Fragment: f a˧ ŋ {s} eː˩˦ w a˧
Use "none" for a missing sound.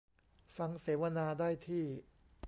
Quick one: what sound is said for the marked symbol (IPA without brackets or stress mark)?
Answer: s